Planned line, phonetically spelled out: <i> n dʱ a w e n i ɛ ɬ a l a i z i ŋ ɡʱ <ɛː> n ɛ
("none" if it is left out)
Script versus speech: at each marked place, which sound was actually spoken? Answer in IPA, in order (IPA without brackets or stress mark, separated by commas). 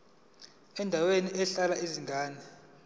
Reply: ɛ, aː